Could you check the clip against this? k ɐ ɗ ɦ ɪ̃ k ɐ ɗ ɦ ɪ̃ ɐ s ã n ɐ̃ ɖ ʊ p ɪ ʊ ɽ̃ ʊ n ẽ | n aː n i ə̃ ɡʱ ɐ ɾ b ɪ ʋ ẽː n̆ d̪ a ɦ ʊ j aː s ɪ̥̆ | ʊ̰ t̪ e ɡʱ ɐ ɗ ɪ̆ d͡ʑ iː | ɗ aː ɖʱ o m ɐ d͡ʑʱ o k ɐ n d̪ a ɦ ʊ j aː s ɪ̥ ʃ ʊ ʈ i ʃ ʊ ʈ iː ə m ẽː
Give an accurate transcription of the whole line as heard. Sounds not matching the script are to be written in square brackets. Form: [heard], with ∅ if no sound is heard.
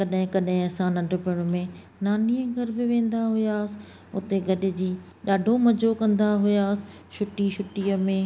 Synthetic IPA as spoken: k ɐ ɗ ɦ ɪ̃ k ɐ ɗ ɦ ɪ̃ ɐ s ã n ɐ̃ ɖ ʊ p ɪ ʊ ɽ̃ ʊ [m] ẽ | n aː n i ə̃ ɡʱ ɐ ɾ b ɪ ʋ ẽː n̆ d̪ a ɦ ʊ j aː s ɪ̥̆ | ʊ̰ t̪ e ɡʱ ɐ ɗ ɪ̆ d͡ʑ iː | ɗ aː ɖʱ o m ɐ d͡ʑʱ o k [ɐ̃] n d̪ a ɦ ʊ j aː s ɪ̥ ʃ ʊ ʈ i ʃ ʊ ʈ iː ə m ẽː